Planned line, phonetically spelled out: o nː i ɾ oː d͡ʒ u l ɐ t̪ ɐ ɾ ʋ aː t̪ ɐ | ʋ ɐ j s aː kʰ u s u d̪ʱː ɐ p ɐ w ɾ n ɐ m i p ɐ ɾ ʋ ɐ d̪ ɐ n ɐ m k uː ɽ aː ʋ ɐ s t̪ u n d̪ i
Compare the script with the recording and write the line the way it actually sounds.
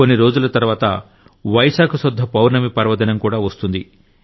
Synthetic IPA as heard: o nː i ɾ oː d͡ʒ u l ɐ t̪ ɐ ɾ ʋ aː t̪ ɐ | ʋ ɐ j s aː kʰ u s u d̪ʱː ɐ p ɐ w ɾ n ɐ m i p ɐ ɾ ʋ ɐ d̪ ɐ n ɐ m k uː ɽ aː ʋ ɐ s t̪ u n d̪ i